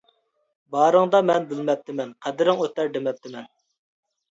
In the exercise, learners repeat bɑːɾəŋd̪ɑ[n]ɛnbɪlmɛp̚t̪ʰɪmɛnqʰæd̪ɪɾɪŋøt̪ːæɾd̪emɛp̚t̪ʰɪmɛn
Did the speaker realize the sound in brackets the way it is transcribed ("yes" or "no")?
no